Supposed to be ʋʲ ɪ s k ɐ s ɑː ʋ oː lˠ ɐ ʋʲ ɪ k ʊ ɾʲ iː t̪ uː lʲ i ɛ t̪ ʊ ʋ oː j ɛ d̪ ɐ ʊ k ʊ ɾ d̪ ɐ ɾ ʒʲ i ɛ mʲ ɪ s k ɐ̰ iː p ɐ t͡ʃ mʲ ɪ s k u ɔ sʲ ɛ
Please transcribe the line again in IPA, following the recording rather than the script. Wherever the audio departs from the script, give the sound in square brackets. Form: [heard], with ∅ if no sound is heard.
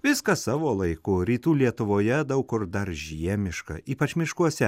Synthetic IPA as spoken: ʋʲ ɪ s k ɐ s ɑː ʋ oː lˠ ɐ [∅] ɪ k ʊ ɾʲ iː t̪ uː lʲ i ɛ t̪ ʊ ʋ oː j ɛ d̪ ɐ ʊ k ʊ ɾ d̪ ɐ ɾ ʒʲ i ɛ mʲ ɪ [ʃ] k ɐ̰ iː p ɐ t͡ʃ mʲ ɪ [ʃ] k u ɔ sʲ ɛ